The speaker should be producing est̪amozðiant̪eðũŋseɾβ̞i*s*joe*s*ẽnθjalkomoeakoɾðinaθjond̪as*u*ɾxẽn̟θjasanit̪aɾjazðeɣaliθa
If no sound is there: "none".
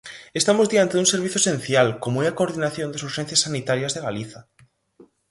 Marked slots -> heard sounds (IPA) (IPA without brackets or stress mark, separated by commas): θ, s, u